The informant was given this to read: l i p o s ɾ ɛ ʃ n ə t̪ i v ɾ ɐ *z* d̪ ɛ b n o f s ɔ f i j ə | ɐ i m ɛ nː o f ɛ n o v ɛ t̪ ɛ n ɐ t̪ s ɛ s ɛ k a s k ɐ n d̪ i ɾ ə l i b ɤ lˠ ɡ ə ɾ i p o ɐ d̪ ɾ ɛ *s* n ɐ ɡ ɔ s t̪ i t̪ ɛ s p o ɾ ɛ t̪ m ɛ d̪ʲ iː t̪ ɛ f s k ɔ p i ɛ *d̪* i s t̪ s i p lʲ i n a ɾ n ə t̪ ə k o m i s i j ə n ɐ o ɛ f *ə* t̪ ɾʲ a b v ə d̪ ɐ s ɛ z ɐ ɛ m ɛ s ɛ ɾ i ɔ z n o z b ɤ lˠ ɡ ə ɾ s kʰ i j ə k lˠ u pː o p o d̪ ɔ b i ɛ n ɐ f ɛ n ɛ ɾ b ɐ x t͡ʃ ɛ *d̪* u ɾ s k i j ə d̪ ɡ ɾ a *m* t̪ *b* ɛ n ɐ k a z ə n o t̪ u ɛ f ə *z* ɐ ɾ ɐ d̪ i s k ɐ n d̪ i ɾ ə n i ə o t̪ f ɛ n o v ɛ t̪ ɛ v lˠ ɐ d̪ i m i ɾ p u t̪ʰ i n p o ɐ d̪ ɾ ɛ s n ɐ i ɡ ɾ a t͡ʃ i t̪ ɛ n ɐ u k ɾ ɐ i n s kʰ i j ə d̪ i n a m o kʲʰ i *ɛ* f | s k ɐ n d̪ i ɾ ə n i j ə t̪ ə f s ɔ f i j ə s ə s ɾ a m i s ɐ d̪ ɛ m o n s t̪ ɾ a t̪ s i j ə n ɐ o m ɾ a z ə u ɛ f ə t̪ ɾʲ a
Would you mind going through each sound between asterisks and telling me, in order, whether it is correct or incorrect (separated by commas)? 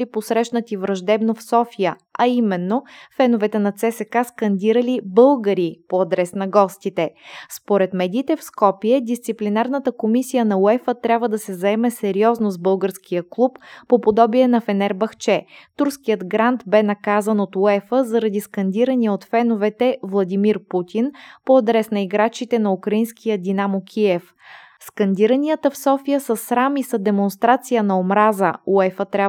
incorrect, correct, correct, correct, incorrect, incorrect, correct, correct, correct